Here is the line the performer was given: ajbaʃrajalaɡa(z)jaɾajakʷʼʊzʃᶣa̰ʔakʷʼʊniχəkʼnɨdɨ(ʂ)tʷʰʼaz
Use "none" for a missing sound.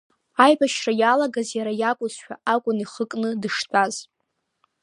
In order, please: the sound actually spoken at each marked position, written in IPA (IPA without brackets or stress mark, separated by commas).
z, ʂ